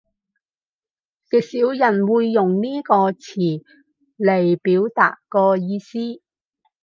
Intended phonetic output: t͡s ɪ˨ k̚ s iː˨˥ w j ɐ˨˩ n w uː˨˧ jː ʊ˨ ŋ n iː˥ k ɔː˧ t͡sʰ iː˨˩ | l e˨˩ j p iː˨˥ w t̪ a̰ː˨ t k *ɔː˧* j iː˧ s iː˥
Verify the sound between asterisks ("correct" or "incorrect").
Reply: correct